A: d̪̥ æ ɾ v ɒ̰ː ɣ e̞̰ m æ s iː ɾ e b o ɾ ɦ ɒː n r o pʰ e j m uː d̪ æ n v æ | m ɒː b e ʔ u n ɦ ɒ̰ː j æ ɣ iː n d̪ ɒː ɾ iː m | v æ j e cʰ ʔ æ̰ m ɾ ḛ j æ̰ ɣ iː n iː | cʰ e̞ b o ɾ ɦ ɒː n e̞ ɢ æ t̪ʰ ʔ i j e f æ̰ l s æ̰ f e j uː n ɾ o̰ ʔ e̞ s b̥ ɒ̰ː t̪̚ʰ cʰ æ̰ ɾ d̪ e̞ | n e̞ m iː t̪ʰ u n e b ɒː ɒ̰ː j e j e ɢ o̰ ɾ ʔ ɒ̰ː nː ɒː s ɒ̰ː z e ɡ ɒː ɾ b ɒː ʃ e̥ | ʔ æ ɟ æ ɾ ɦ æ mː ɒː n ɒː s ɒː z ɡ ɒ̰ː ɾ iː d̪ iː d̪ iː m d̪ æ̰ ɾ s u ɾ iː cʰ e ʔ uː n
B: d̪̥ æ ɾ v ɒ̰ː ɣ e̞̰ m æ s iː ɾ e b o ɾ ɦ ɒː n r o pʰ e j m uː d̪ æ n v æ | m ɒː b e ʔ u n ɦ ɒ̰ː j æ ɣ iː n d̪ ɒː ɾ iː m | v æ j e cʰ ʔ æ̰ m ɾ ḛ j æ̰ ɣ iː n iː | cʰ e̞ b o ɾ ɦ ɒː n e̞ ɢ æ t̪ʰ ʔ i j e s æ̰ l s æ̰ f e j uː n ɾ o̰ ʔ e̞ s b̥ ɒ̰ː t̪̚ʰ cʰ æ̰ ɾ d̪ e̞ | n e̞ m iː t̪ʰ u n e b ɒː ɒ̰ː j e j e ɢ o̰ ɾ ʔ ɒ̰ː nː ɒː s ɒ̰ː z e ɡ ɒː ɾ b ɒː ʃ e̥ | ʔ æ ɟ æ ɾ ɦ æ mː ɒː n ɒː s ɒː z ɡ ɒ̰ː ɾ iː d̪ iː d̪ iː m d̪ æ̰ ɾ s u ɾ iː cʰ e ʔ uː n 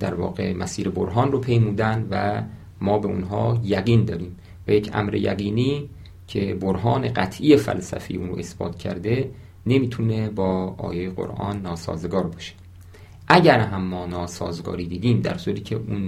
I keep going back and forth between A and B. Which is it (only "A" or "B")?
A